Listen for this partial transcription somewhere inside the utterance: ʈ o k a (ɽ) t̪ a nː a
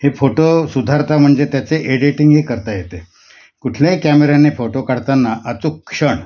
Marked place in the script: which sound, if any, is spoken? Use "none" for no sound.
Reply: ɽ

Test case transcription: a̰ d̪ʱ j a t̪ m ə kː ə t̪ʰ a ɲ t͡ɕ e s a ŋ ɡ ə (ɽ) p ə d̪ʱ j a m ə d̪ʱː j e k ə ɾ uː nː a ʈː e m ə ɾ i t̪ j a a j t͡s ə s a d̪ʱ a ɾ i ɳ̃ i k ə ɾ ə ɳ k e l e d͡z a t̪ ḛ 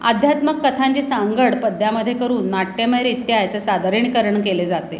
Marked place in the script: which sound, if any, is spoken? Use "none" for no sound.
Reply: ɽ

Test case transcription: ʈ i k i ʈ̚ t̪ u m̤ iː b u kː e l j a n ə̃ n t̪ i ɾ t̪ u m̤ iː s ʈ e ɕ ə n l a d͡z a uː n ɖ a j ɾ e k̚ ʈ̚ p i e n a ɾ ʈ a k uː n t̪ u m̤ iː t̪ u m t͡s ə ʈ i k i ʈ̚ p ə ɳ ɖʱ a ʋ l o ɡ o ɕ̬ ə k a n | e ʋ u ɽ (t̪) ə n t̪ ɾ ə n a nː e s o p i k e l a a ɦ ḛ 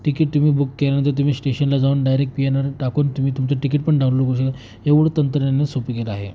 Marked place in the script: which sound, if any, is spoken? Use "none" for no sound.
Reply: t̪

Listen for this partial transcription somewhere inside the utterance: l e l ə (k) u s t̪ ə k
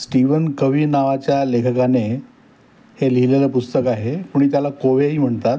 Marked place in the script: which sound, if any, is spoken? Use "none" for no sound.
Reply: p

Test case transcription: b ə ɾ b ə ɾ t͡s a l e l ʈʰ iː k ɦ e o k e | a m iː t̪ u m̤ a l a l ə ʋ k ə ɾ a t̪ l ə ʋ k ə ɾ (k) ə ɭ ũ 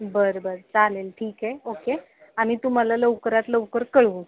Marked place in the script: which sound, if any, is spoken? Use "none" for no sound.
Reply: k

